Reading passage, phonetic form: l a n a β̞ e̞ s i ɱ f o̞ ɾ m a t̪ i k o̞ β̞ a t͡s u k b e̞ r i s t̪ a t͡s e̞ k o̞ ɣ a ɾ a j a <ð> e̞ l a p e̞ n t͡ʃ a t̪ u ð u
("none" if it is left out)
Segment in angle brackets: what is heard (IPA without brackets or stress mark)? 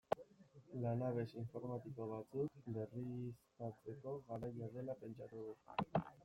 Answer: ð